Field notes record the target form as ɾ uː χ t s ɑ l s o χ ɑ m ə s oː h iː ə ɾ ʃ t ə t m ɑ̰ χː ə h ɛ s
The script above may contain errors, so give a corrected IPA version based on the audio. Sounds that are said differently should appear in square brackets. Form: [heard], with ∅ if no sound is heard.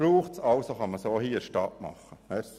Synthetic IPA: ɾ uː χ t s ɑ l s o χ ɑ m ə s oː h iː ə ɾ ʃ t [ɑ] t m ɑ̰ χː ə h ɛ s